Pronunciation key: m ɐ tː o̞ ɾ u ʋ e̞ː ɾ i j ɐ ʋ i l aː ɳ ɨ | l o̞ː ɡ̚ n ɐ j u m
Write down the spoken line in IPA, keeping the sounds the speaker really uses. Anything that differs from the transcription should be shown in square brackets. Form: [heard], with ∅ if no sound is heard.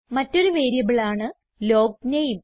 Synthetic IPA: m ɐ tː o̞ ɾ u ʋ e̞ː ɾ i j ɐ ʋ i [ɭ] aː ɳ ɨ | l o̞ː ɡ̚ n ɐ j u m